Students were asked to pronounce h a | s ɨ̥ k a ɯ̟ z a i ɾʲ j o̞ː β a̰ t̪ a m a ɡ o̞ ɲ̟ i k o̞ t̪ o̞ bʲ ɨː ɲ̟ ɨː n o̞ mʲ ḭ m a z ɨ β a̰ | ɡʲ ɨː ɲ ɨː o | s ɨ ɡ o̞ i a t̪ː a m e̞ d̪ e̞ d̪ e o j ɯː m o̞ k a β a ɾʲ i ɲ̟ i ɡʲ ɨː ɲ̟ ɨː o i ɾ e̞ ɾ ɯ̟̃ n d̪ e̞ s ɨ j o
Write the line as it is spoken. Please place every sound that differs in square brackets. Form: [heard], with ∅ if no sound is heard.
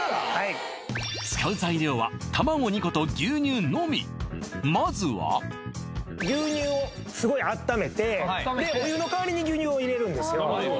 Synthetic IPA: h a | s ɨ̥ k a ɯ̟ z a i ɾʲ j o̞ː β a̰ t̪ a m a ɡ o̞ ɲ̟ i k o̞ t̪ o̞ [ɡʲ] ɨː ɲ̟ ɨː n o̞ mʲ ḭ m a z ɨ β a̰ | ɡʲ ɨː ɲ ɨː o | s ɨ ɡ o̞ i a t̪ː a m e̞ [t̪] e̞ d̪ e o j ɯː [n] o̞ k a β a ɾʲ i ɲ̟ i ɡʲ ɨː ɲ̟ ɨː o i ɾ e̞ ɾ ɯ̟̃ n d̪ e̞ s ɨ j o